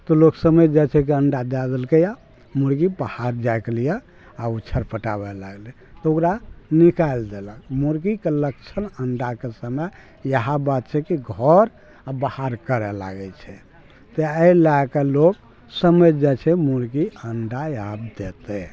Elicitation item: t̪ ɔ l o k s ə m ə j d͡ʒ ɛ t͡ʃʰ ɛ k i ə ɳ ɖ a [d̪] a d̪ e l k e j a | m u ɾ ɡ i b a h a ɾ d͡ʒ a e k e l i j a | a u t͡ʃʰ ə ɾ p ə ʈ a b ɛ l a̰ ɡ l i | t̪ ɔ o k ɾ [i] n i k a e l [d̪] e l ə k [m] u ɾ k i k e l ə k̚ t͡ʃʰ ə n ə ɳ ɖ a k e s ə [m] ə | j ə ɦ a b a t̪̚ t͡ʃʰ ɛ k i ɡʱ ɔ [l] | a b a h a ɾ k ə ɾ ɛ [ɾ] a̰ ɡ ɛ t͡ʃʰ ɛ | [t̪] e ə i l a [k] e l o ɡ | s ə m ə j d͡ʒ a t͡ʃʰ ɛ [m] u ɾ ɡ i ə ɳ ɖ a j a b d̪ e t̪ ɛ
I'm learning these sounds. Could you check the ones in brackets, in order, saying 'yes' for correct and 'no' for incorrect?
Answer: yes, no, yes, yes, yes, no, no, yes, yes, yes

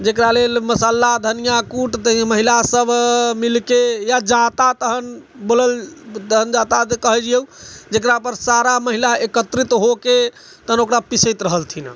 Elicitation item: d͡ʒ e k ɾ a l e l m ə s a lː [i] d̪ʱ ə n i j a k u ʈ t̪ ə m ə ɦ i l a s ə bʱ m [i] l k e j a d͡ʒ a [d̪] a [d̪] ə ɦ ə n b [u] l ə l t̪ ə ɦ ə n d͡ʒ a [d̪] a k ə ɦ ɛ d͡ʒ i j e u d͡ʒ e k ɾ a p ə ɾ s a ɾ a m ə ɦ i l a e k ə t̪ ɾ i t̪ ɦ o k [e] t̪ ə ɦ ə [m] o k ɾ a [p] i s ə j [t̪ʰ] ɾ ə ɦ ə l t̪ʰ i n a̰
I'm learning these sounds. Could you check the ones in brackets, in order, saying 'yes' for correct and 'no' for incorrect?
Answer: no, yes, no, no, no, no, yes, no, yes, no

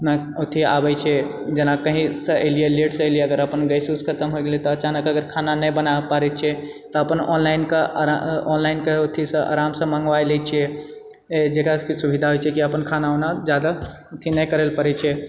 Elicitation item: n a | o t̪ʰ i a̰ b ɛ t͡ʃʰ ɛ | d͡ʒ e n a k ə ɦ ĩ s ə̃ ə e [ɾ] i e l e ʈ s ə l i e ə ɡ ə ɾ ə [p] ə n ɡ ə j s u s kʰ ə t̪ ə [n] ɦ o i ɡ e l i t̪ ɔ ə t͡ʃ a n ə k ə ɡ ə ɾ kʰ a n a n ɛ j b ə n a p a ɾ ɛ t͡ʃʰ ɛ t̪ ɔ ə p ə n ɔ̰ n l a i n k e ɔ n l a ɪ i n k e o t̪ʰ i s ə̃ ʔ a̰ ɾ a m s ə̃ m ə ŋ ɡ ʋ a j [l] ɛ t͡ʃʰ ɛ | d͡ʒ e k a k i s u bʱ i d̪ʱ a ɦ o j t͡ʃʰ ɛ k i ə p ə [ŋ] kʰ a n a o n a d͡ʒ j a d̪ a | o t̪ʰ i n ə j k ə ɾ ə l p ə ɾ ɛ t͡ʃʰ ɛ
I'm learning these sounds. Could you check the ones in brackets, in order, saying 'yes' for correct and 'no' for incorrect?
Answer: no, yes, no, yes, no

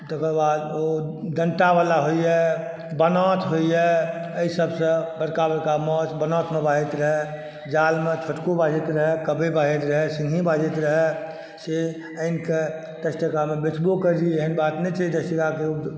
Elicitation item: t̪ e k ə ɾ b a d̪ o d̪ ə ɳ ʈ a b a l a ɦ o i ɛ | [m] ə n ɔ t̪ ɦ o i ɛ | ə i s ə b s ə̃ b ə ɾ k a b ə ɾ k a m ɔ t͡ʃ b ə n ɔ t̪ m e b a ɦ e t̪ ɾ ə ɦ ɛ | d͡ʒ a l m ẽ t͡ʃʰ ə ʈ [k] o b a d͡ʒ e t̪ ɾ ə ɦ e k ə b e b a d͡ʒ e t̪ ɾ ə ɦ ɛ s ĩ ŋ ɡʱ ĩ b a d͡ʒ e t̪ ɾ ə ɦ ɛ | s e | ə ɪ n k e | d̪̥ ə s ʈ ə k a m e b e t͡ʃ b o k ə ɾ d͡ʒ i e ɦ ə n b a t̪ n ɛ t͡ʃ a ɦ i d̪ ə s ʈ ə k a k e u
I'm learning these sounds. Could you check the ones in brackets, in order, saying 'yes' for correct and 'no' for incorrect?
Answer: no, yes

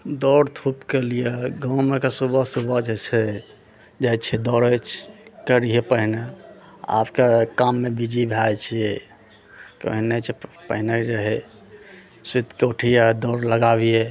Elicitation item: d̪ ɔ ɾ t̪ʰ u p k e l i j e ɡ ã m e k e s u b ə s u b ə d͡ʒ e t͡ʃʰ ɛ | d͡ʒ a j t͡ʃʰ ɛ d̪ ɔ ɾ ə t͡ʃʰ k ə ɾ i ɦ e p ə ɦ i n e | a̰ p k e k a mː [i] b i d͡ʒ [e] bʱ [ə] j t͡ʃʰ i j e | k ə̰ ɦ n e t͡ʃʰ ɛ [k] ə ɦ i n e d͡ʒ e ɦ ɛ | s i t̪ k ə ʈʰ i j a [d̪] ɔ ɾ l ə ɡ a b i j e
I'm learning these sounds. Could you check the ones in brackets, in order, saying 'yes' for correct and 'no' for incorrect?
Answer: no, no, no, no, yes

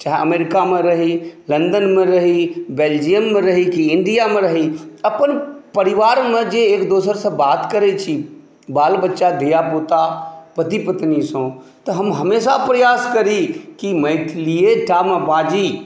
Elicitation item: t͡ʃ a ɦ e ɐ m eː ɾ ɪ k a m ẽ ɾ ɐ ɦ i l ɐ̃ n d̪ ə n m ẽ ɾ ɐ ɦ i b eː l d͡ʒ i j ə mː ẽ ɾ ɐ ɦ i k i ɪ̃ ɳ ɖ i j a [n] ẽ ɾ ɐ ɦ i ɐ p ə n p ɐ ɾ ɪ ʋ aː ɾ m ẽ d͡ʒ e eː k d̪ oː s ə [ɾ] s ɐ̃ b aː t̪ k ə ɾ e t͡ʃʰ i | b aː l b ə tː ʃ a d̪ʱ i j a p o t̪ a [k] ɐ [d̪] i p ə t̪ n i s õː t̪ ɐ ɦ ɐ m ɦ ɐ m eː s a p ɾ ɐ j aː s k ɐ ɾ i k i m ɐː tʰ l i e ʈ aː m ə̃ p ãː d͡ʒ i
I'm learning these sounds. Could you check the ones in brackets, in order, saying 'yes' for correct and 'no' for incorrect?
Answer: no, yes, no, no

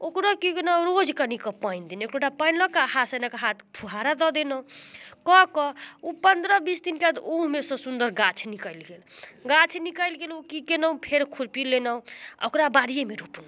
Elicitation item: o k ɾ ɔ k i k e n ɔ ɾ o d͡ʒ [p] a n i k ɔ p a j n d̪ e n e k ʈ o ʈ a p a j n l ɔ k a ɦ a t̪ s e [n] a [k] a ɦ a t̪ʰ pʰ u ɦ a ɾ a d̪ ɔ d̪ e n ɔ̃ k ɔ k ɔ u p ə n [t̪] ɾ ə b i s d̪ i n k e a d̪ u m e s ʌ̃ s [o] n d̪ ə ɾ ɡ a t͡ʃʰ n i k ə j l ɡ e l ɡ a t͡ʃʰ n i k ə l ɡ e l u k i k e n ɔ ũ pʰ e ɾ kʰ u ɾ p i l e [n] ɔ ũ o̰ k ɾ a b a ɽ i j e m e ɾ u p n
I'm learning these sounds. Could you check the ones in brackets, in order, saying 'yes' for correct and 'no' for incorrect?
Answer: no, yes, yes, no, no, yes

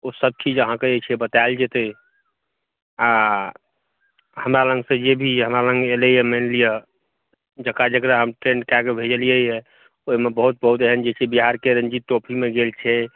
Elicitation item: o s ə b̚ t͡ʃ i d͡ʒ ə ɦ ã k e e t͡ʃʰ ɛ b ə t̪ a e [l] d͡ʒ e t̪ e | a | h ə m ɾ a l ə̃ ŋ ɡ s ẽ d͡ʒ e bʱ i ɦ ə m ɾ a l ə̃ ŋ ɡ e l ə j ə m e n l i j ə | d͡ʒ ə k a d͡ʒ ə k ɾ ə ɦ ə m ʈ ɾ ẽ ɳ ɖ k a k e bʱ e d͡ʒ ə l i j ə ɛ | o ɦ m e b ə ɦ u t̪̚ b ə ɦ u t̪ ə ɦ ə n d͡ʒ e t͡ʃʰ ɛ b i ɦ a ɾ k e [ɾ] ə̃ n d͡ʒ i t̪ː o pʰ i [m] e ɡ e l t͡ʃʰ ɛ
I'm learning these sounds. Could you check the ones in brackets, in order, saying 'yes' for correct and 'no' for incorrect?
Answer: yes, yes, yes

